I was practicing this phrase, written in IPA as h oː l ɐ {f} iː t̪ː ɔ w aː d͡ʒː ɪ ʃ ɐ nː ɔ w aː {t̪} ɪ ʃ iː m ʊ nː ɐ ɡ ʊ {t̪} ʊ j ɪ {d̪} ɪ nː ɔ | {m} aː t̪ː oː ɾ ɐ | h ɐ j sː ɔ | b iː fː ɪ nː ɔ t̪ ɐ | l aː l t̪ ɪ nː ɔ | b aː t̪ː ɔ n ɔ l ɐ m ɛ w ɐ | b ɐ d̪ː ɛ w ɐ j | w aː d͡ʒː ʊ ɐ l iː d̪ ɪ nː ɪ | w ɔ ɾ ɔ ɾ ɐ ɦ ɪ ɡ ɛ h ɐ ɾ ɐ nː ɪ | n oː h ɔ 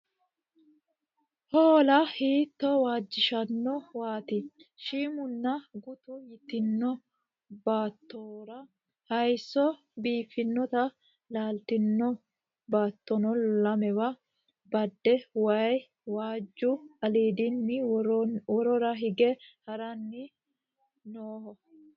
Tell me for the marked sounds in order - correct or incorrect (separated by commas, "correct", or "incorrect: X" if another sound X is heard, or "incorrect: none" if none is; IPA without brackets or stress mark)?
incorrect: h, correct, correct, incorrect: t̪, incorrect: b